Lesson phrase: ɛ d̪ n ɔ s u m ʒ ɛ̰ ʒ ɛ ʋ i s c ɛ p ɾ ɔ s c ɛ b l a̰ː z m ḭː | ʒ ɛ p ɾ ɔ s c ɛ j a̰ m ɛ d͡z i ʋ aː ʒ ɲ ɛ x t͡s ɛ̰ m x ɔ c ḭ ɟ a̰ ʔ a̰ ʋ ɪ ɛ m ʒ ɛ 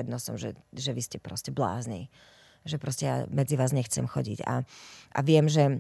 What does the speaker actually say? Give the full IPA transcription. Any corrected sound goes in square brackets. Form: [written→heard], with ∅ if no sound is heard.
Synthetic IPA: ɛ d̪ n ɔ s [u→ɔ] m ʒ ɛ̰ ʒ ɛ ʋ i s c ɛ p ɾ ɔ s c ɛ b l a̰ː z [m→n] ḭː | ʒ ɛ p ɾ ɔ s c ɛ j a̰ m ɛ d͡z i ʋ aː [ʒ→z] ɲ ɛ x t͡s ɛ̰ m x ɔ [c→ɟ] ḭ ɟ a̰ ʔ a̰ ʋ ɪ ɛ m ʒ ɛ